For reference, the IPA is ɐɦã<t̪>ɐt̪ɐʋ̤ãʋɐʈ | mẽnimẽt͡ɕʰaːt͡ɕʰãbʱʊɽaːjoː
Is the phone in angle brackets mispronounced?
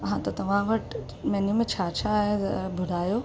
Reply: no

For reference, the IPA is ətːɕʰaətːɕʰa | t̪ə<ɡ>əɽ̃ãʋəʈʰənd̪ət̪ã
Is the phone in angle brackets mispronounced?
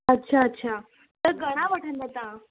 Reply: no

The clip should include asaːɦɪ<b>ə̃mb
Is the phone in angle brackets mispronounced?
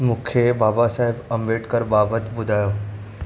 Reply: no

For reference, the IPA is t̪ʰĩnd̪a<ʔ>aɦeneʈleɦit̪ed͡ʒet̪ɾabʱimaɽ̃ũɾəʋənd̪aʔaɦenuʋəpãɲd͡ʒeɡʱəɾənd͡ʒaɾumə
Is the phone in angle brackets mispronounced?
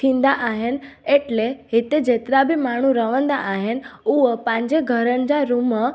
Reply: no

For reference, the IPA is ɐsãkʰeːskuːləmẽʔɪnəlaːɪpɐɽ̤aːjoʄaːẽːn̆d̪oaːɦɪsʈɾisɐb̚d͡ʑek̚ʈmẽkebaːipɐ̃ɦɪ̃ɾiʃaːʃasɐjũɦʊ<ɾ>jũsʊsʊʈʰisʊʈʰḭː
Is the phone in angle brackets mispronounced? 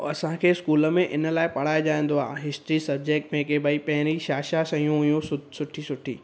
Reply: yes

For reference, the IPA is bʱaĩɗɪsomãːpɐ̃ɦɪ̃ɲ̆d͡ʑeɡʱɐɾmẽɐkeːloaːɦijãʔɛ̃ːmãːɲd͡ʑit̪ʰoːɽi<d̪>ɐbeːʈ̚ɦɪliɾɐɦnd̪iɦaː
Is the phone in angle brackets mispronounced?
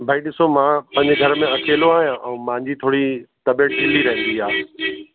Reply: yes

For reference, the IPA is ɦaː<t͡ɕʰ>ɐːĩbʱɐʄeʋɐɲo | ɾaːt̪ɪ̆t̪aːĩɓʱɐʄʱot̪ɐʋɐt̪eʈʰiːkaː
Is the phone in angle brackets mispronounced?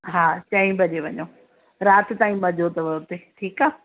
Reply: yes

